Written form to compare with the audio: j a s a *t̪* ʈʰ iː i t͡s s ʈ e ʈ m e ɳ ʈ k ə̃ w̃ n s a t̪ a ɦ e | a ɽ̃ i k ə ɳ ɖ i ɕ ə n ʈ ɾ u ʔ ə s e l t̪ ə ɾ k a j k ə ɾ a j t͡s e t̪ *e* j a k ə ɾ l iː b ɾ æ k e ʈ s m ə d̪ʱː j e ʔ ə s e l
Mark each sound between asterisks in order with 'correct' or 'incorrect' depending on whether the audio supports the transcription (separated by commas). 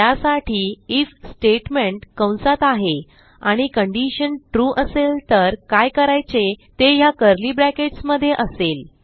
incorrect, correct